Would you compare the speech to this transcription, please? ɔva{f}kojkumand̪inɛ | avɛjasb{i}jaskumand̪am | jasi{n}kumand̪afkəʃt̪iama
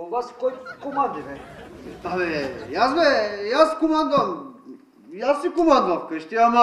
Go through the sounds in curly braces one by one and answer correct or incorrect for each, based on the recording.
incorrect: s, incorrect: ɛ, incorrect: none

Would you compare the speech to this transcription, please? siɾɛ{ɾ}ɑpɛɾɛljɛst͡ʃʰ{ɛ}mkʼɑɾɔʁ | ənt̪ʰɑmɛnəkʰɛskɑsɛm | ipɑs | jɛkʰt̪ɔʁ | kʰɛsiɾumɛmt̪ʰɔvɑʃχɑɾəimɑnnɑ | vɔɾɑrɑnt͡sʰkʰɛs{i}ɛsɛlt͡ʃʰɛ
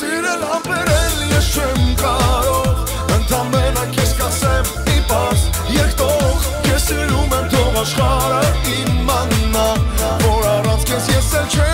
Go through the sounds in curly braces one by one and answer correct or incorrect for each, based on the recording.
incorrect: l, correct, incorrect: j

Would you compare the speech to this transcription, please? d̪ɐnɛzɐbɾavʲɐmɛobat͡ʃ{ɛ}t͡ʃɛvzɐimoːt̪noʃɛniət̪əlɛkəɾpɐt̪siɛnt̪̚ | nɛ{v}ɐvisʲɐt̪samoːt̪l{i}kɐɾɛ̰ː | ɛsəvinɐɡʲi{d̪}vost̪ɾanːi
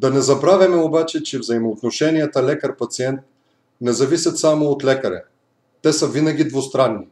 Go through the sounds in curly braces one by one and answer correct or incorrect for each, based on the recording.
correct, incorrect: z, incorrect: ɛ, correct

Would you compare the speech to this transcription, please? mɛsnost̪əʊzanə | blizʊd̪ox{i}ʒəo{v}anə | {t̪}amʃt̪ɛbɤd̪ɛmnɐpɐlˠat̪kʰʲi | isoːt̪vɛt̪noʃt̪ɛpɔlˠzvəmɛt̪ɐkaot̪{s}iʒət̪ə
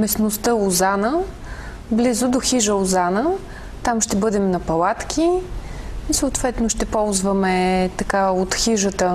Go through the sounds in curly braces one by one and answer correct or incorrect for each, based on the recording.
correct, incorrect: z, correct, incorrect: x

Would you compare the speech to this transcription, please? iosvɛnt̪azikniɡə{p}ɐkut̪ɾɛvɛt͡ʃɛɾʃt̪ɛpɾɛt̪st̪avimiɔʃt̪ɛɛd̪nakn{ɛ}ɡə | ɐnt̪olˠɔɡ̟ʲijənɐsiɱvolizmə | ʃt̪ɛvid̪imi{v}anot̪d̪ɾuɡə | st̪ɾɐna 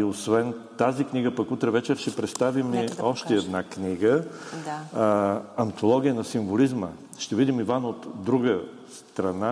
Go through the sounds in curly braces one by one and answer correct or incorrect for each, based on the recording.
correct, incorrect: i, correct

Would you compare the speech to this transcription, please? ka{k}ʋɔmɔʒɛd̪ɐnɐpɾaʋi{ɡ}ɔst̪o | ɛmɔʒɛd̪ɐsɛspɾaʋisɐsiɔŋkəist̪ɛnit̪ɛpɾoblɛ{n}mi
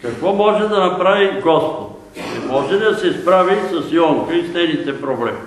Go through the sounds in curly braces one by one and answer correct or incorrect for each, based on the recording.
correct, correct, incorrect: none

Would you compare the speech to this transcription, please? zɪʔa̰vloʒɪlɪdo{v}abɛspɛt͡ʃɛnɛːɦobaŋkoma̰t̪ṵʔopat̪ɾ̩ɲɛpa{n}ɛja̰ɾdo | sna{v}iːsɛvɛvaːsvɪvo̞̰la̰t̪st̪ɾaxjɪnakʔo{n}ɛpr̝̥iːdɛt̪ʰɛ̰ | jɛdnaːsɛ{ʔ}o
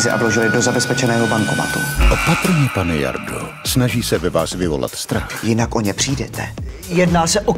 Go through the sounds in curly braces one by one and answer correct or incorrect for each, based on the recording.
incorrect: z, correct, incorrect: ʒ, incorrect: ɲ, correct

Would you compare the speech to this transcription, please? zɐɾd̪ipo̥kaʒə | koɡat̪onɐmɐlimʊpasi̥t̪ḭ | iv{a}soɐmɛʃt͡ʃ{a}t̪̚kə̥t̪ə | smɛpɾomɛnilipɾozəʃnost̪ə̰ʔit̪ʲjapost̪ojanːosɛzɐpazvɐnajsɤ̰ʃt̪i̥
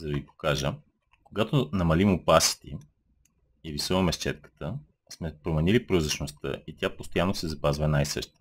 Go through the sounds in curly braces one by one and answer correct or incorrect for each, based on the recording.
incorrect: i, incorrect: ɛ

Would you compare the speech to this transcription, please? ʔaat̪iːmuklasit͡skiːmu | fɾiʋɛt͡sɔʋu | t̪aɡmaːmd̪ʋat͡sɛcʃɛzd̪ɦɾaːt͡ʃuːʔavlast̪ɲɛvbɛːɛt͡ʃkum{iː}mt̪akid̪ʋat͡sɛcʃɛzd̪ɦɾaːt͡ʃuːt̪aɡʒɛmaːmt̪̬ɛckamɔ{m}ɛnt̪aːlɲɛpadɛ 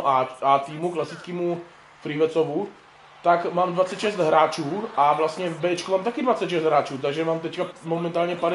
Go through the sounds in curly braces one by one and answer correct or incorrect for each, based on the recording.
incorrect: aː, correct

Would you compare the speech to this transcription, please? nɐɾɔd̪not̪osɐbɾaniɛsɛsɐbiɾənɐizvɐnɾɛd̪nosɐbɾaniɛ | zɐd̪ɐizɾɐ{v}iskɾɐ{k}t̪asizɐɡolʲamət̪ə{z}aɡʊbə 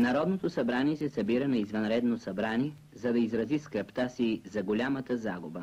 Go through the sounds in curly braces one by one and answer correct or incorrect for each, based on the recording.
incorrect: z, incorrect: p, correct

